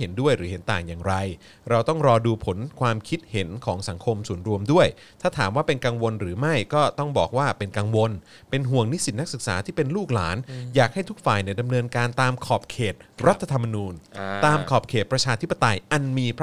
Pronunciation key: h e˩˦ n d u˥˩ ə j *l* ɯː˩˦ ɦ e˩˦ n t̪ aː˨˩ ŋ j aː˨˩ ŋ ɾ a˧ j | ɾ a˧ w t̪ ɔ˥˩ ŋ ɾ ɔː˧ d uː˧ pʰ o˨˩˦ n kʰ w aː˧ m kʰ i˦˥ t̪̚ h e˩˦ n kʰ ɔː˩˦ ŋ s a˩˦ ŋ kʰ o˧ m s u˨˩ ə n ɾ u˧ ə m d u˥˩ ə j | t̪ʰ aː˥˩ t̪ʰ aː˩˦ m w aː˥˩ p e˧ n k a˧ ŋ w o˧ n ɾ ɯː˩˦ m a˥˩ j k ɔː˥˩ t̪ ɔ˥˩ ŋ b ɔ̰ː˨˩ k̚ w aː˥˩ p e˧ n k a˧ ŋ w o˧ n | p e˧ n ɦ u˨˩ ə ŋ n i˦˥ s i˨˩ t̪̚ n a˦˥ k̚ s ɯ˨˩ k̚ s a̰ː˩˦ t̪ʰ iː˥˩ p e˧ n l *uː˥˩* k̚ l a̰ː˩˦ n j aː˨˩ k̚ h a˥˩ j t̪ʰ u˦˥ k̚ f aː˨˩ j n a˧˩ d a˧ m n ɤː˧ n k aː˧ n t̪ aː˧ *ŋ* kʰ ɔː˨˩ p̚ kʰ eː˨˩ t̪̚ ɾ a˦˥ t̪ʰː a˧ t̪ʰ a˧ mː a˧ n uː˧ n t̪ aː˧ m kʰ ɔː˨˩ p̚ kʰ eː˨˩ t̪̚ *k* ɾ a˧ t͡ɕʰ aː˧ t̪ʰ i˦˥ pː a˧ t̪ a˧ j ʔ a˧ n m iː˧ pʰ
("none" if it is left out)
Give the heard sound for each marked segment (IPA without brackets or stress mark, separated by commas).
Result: ɾ, uː˥˩, m, p